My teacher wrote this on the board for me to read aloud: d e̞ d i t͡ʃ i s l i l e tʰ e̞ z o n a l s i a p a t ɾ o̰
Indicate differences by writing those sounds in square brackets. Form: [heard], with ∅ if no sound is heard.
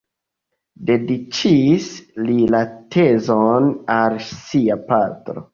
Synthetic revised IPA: d e̞ d i t͡ʃ i s l i l [a] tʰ e̞ z o n a l s i a p a t ɾ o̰